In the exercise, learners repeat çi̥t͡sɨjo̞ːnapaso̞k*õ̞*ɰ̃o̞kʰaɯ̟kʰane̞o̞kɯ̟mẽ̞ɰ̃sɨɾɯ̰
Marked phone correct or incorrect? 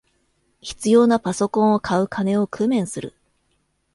correct